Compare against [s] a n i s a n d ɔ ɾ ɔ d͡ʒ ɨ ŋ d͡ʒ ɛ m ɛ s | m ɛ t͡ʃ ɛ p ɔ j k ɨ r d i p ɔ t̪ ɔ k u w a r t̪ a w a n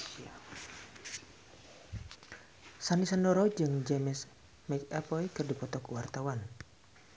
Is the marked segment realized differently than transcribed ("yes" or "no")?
no